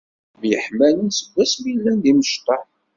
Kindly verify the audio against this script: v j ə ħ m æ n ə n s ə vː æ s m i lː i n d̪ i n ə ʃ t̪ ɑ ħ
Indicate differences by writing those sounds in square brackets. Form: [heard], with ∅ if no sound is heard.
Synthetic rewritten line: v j ə ħ m æ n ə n s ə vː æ s m i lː [æ] n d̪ i [m] ə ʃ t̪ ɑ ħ